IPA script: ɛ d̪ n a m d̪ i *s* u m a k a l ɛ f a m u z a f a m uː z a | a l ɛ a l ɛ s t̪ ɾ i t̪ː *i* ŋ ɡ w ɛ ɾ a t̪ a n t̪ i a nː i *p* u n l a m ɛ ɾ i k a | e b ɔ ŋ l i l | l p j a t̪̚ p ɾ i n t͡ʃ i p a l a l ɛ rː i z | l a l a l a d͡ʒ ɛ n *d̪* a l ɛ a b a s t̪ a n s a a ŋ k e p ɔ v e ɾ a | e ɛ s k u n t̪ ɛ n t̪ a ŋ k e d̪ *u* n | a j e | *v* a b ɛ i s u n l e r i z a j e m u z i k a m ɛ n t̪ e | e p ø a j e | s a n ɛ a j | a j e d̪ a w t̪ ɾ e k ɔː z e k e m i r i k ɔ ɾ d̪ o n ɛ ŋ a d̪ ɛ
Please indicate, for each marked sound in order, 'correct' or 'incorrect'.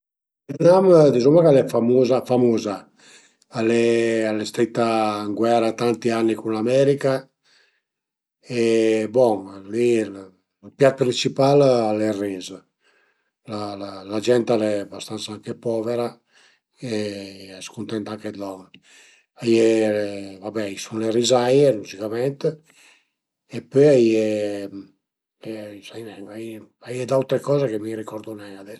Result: incorrect: z, incorrect: a, incorrect: k, incorrect: t̪, incorrect: ɔ, correct

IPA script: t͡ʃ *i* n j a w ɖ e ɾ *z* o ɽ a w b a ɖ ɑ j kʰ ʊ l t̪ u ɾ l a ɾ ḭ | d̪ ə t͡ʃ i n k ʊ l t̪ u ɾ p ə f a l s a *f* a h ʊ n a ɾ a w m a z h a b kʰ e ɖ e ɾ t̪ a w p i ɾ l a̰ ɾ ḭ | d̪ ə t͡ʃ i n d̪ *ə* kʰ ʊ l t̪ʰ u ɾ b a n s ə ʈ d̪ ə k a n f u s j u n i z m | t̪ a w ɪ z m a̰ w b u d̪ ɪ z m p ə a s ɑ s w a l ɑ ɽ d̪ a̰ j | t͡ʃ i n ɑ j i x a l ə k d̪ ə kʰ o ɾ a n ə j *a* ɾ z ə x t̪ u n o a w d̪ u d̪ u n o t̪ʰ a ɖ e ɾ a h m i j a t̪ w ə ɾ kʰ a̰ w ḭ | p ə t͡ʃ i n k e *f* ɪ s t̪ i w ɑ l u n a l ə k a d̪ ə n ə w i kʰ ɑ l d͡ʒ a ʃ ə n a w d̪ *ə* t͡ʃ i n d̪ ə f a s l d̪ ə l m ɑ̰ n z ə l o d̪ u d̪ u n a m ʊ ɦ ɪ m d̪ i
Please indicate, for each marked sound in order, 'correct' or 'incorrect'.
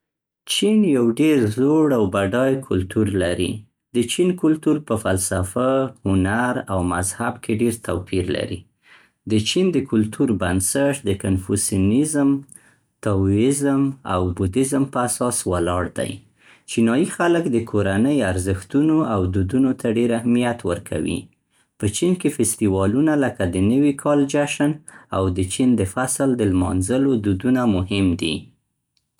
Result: correct, correct, correct, correct, correct, correct, correct

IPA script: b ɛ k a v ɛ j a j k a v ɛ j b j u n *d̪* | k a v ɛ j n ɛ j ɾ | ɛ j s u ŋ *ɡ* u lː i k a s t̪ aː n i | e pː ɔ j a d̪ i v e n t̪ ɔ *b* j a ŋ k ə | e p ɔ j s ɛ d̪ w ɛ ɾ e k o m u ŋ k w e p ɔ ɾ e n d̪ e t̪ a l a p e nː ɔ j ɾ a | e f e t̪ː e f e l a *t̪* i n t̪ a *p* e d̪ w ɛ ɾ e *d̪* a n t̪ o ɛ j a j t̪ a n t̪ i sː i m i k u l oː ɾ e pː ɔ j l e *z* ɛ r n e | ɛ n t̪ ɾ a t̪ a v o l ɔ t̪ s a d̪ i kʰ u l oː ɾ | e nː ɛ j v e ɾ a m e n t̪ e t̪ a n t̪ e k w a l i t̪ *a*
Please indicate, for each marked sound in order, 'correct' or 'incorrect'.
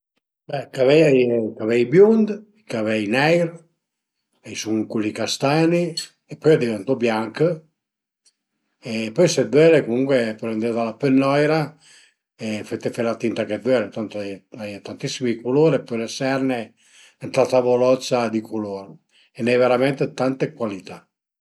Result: correct, incorrect: k, correct, correct, incorrect: k, incorrect: t̪, incorrect: s, correct

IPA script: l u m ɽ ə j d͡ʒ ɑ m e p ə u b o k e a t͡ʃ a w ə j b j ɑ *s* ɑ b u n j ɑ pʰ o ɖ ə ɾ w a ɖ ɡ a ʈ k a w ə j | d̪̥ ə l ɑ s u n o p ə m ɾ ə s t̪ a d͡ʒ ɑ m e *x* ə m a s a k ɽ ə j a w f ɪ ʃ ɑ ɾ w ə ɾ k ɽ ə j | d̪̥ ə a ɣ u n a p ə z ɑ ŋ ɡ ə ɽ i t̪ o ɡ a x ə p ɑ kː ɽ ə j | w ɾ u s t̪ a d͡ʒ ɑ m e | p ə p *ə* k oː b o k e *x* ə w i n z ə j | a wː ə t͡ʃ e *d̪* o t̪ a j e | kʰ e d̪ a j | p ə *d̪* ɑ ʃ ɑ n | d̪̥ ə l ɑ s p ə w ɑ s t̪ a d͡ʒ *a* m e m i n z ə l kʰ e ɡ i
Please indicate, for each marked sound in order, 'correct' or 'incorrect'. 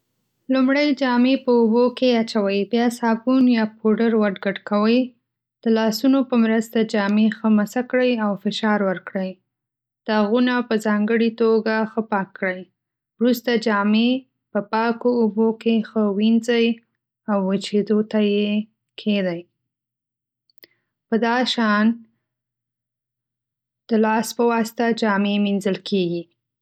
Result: correct, correct, incorrect: ɑ, correct, correct, correct, incorrect: ɑ

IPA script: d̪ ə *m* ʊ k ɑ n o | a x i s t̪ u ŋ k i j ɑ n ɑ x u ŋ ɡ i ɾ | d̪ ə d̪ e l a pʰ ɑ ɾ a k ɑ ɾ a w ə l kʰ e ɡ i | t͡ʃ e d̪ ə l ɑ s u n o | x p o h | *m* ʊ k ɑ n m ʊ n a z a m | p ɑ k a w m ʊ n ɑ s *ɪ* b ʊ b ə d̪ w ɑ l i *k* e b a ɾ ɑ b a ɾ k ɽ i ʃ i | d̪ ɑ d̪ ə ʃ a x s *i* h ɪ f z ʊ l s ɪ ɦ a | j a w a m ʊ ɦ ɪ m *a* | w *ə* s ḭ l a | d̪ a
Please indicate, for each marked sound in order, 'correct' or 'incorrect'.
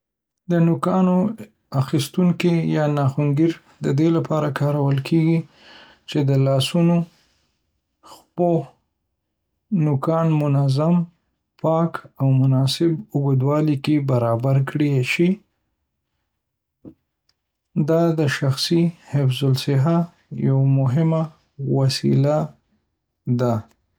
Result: incorrect: n, incorrect: n, correct, correct, correct, correct, incorrect: a

